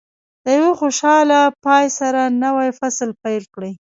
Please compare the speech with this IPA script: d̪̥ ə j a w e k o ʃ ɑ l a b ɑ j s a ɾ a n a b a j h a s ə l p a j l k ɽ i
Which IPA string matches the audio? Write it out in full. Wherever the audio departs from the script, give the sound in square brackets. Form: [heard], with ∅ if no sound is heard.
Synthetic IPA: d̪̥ ə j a w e [x] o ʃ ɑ l a [p] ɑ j s a ɾ a n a [w] a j [f] a s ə l p a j l k ɽ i